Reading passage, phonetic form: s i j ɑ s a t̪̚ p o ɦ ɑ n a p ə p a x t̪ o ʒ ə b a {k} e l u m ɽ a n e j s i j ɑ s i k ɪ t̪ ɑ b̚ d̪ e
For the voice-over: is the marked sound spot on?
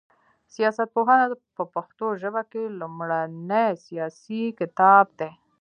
yes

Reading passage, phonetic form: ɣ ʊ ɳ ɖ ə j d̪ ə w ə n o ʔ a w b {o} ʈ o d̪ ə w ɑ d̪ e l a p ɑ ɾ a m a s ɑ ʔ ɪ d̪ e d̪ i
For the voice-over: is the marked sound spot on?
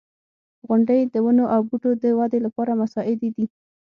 no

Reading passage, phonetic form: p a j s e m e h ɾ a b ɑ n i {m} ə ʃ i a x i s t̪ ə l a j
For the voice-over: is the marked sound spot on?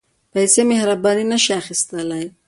no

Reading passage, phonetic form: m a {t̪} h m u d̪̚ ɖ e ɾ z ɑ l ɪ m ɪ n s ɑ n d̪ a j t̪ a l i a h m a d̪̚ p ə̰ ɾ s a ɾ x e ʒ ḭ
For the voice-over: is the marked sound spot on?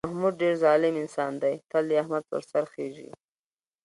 no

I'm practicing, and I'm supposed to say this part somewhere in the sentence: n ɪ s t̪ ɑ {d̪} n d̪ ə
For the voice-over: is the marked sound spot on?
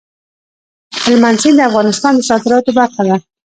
no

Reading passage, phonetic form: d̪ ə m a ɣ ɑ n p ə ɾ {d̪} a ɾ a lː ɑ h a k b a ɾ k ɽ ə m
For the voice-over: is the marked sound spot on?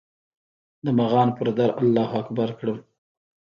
yes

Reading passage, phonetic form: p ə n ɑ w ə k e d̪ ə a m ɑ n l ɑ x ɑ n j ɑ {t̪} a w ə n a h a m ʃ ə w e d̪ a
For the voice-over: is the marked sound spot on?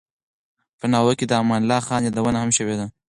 no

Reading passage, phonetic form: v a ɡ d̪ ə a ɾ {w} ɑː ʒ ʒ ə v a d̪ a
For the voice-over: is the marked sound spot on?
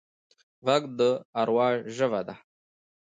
yes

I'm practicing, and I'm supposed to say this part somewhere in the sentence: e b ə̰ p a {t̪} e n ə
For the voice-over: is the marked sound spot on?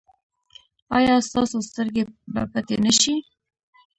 yes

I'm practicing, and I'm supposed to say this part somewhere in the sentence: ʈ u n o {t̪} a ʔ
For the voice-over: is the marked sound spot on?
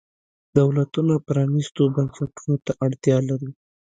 yes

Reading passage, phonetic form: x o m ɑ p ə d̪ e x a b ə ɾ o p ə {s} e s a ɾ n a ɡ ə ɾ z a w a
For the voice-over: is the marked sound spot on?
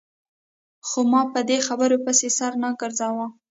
yes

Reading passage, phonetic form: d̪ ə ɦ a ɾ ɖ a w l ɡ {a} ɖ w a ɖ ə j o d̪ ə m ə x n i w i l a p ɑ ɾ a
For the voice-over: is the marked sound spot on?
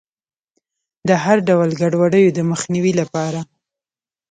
yes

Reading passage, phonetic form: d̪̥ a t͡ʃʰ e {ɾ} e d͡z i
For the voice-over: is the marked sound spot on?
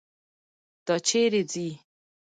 yes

